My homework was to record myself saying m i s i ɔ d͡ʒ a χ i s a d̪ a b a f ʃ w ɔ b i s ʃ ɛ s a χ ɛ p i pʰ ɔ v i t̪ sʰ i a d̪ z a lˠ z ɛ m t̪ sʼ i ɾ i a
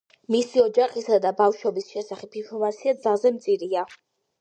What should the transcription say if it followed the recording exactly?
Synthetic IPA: m i s i ɔ d͡ʒ a χ i s a d̪ a b a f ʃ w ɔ b i s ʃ ɛ s a χ ɛ p i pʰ ɔ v a t̪ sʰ i a d̪ z a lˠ z ɛ m t̪ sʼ i ɾ i a

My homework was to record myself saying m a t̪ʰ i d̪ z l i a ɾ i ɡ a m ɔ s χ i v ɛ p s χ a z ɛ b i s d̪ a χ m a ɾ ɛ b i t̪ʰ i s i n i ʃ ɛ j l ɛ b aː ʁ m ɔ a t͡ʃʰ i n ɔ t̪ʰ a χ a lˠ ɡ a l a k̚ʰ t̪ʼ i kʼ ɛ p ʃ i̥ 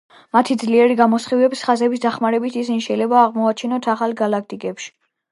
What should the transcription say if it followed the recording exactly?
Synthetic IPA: m a t̪ʰ i d̪ z l i ɛ ɾ i ɡ a m ɔ s χ i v ɛ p s χ a z ɛ b i s d̪ a χ m a ɾ ɛ b i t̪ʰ i s i n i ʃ ɛ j l ɛ b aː ʁ m ɔ a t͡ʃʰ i n ɔ t̪ʰ a χ a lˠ ɡ a l a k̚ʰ t̪ʼ i kʼ ɛ p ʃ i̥

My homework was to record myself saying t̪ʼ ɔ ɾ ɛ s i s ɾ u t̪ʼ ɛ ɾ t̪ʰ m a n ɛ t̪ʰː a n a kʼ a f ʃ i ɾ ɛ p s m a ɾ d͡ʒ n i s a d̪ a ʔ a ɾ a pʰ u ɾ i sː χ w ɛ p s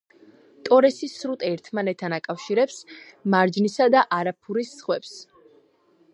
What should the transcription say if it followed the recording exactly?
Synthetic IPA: t̪ʼ ɔ ɾ ɛ s i s ɾ u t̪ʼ ɛ ɾ t̪ʰ m a n ɛ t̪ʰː a n a kʼ a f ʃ i ɾ ɛ p s m a ɾ d͡ʒ n i s a d̪ a ʔ a ɾ a pʰ u ɾ i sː χ w ɛ p s

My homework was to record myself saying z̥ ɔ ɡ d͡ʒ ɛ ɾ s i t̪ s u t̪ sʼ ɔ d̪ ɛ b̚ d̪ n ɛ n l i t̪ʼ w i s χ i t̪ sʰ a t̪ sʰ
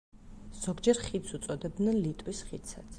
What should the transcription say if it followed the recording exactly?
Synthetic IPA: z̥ ɔ ɡ d͡ʒ ɛ ɾ χ i t̪ s u t̪ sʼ ɔ d̪ ɛ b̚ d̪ n ɛ n l i t̪ʼ w i s χ i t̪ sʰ a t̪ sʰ

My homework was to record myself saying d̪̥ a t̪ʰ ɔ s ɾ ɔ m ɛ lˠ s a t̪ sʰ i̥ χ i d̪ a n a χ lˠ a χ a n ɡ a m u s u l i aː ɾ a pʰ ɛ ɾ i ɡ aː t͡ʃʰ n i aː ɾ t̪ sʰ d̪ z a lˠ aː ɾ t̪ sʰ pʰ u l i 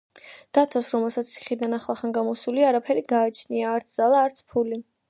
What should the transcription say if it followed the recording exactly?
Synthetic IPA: d̪̥ a t̪ʰ ɔ s ɾ ɔ m ɛ lˠ s a t̪ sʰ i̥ χ i d̪ a n a χ lˠ a χ a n ɡ a m ɔ s u l i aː ɾ a pʰ ɛ ɾ i ɡ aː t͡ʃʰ n i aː ɾ t̪ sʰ d̪ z a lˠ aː ɾ t̪ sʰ pʰ u l i

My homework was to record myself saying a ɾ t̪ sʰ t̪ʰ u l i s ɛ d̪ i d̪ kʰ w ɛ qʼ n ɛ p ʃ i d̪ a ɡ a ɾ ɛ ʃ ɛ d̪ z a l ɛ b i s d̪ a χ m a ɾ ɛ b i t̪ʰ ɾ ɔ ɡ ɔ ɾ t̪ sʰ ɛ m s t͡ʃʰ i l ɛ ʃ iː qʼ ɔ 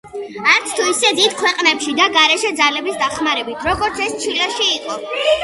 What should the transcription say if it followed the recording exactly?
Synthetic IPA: a ɾ t̪ sʰ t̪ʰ u i s ɛ d̪ i d̪ kʰ w ɛ qʼ n ɛ p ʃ i d̪ a ɡ a ɾ ɛ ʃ ɛ d̪ z a l ɛ b i s d̪ a χ m a ɾ ɛ b i t̪ʰ ɾ ɔ ɡ ɔ ɾ t̪ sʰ ɛ s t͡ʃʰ i l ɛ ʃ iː qʼ ɔ

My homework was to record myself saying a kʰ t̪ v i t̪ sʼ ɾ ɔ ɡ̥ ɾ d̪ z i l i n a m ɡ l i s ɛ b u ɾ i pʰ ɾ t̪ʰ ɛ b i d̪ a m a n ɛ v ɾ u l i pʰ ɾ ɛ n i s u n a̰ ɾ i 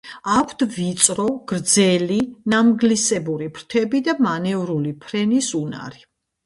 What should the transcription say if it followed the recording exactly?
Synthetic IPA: a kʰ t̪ v i t̪ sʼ ɾ ɔ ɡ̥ ɾ d̪ z ɛ l i n a m ɡ l i s ɛ b u ɾ i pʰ ɾ t̪ʰ ɛ b i d̪ a m a n ɛ v ɾ u l i pʰ ɾ ɛ n i s u n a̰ ɾ i

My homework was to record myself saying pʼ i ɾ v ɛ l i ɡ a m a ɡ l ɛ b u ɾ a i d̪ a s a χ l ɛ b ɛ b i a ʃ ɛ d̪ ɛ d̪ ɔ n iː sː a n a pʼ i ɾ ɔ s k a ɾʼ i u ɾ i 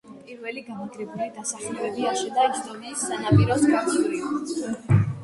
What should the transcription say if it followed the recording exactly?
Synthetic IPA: pʼ i ɾ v ɛ l i ɡ a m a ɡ ɾ ɛ b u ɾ a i d̪ a s a χ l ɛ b ɛ b i a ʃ ɛ d̪ a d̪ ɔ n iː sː a n a pʼ i ɾ ɔ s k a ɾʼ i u ɾ i

